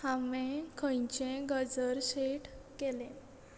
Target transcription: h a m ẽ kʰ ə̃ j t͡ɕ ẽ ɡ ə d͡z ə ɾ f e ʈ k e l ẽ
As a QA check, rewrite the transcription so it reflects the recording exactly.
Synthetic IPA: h a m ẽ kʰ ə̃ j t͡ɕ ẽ ɡ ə d͡z ə ɾ ɕ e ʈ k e l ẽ